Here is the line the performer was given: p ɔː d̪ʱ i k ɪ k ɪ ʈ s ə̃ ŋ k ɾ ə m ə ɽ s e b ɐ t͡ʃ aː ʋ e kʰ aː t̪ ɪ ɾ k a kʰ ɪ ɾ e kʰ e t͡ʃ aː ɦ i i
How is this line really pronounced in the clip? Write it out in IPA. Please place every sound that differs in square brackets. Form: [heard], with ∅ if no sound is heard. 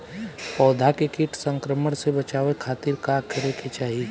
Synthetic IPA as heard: p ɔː d̪ʱ [a] k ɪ k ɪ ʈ s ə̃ ŋ k ɾ ə m ə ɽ s e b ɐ t͡ʃ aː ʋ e kʰ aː t̪ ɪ ɾ k a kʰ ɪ ɾ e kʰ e t͡ʃ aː ɦ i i